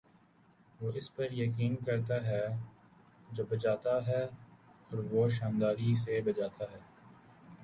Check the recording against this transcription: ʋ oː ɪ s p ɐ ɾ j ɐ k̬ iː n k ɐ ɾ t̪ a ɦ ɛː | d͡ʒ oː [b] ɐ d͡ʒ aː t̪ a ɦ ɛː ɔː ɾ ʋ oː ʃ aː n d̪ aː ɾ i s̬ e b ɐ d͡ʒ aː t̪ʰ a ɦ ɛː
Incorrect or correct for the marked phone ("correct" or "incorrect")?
correct